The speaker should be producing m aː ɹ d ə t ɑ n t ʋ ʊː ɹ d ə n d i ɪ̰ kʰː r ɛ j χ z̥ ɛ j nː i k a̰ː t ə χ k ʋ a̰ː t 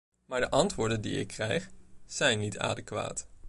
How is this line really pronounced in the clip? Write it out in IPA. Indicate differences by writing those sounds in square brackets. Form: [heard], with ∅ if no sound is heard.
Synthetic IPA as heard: m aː ɹ d ə [ʔ] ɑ n t ʋ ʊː ɹ d ə n d i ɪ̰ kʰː r ɛ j χ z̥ ɛ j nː i [t] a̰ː [d] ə [∅] k ʋ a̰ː t

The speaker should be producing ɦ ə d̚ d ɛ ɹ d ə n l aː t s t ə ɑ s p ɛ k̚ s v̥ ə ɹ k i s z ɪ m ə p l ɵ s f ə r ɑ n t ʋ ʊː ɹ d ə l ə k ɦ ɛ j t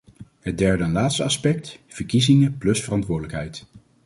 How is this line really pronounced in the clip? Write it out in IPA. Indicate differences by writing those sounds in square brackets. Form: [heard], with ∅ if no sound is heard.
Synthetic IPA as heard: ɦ ə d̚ d ɛ ɹ d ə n l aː t s t ə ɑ s p ɛ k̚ [t] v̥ ə ɹ k i [∅] z ɪ [ŋ] ə p l ɵ s f ə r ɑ n t ʋ ʊː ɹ d ə l ə k ɦ ɛ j t

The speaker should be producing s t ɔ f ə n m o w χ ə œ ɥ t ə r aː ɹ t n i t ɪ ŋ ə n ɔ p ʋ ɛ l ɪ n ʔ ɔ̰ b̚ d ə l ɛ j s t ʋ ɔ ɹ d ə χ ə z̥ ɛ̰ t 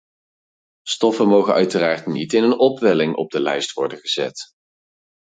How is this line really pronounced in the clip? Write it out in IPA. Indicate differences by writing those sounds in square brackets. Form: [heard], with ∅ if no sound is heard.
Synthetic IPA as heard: s t ɔ f ə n m o w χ ə œ ɥ t ə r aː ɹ t n i t ɪ [n] ə n ɔ p ʋ ɛ l ɪ [ŋ] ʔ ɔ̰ b̚ d ə l ɛ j s t ʋ ɔ ɹ d ə χ ə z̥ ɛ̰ t

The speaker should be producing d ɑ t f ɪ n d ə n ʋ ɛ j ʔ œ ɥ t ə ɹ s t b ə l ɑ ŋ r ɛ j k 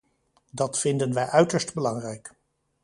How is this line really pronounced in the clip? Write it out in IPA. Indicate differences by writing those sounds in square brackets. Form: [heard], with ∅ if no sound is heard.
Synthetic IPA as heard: d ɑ t f ɪ n d ə n ʋ ɛ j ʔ œ ɥ t ə ɹ s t b ə l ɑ ŋ r ɛ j k

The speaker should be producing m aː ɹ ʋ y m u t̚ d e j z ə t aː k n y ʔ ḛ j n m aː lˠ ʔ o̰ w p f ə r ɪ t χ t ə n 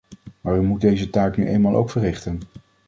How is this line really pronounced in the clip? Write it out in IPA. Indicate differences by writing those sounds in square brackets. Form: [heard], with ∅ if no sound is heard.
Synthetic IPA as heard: m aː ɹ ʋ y m u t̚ d e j z ə t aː k n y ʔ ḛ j n m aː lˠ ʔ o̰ w [k] f ə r ɪ [∅] χ t ə n

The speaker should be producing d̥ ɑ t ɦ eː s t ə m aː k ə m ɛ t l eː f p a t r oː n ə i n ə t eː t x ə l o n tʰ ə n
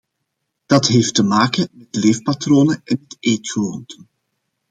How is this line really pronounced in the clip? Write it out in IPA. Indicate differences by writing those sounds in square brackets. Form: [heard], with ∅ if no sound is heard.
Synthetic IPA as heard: d̥ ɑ t ɦ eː [f] t ə m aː k ə m ɛ t l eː f p a t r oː n ə [ɛ] n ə t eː t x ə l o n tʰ ə n

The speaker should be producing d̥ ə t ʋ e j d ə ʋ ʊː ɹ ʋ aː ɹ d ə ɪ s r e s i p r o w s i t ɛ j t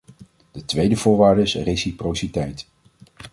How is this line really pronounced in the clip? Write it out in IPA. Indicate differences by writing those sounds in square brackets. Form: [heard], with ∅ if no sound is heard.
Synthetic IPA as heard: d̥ ə t ʋ e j d ə [v] ʊː ɹ ʋ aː ɹ d ə ɪ s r e s i p r o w s i t ɛ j t

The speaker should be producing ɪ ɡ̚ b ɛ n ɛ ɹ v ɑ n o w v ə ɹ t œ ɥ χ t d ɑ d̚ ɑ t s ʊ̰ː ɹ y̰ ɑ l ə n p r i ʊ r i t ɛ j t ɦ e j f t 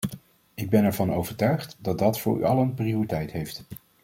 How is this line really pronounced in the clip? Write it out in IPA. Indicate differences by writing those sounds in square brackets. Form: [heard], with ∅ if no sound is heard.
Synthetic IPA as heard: ɪ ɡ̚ b ɛ n ɛ ɹ v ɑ n o w v ə ɹ t œ ɥ χ t d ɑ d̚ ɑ t [f] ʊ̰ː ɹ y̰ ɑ l ə n p r i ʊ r i t ɛ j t ɦ e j f t

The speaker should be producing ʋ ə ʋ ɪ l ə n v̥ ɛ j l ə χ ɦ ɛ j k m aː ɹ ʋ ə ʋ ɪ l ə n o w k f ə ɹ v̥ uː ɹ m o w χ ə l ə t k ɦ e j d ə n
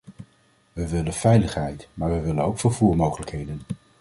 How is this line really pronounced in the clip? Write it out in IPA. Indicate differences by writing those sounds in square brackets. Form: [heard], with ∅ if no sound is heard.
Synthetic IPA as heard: ʋ ə ʋ ɪ l ə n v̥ ɛ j l ə χ ɦ ɛ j [t] m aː ɹ ʋ ə ʋ ɪ l ə n o w k f ə ɹ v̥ uː ɹ m o w χ ə l ə [∅] k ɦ e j d ə n

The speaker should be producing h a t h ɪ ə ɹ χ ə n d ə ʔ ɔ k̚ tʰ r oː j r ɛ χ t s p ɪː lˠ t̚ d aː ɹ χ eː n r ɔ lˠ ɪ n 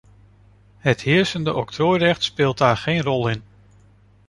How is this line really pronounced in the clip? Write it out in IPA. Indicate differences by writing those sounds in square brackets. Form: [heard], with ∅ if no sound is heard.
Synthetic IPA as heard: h [ə] t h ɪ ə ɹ [s] ə n d ə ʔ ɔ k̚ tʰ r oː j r ɛ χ t s p ɪː lˠ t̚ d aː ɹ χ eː n r ɔ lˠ ɪ n

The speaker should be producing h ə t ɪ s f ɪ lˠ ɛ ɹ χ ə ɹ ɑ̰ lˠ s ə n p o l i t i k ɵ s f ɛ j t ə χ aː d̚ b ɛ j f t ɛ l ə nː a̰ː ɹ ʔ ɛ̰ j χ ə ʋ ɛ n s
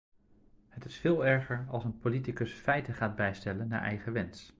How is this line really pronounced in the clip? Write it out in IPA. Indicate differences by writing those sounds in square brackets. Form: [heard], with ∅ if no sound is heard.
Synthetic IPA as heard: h ə t ɪ s f [ɪː] lˠ ɛ ɹ χ ə ɹ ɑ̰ lˠ s ə n p o l i t i k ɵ s f ɛ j t ə χ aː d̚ b ɛ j [s] t ɛ l ə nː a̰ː ɹ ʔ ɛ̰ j χ ə ʋ ɛ n s

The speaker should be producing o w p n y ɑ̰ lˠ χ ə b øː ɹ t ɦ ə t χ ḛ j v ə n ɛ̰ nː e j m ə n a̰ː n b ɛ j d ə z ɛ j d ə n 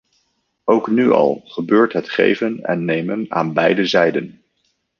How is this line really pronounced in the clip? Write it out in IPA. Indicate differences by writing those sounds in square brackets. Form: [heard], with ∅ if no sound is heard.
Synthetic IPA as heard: o w [k] n y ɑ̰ lˠ χ ə b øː ɹ t ɦ ə t χ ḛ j v ə n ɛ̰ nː e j m ə n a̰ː n b ɛ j d ə z ɛ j d ə n

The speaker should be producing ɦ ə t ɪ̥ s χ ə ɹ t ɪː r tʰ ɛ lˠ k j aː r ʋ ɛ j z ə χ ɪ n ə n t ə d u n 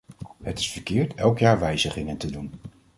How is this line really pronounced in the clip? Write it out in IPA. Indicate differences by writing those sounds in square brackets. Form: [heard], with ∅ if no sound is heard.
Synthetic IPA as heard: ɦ ə t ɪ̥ s [f] ə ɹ [k] ɪː [ɹ] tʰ ɛ lˠ k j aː [ɹ] ʋ ɛ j z ə χ ɪ [ŋ] ə n t ə d u n

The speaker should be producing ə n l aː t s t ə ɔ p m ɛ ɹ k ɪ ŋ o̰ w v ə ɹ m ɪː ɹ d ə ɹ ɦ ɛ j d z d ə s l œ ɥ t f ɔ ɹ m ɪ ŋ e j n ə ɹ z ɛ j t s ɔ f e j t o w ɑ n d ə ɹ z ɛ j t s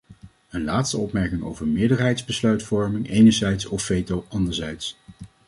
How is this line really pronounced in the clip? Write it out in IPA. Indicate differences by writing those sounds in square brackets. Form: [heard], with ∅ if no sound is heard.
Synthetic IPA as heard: ə n l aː t s t ə ɔ p m ɛ ɹ k ɪ ŋ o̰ w v ə ɹ m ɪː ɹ d ə ɹ ɦ ɛ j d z [b] ə s l œ ɥ t f ɔ ɹ m ɪ ŋ e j n ə ɹ z ɛ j t s ɔ f e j t o w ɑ n d ə ɹ z ɛ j t s

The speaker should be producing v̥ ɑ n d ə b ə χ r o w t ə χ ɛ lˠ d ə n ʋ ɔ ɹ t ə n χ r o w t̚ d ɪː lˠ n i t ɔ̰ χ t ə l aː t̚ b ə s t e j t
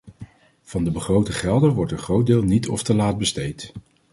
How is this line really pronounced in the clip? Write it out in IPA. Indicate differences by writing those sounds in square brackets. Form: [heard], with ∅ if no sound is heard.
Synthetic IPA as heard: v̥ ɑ n d ə b ə χ r o w t ə χ ɛ lˠ d ə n ʋ ɔ ɹ t ə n χ r o w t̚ d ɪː lˠ n i t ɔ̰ [f] t ə l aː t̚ b ə s t e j t

